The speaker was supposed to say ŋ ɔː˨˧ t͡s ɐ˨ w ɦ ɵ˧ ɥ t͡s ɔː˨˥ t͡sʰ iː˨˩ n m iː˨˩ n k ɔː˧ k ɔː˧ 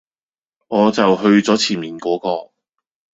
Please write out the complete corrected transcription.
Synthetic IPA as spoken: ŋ ɔː˨˧ t͡s ɐ˨ w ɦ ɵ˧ ɥ t͡s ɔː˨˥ t͡sʰ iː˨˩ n m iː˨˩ n k ɔː˨˥ k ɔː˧